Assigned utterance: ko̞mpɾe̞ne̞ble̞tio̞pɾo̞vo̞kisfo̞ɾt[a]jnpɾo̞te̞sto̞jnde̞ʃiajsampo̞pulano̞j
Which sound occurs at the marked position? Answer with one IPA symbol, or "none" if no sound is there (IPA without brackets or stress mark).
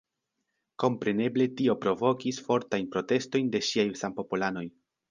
a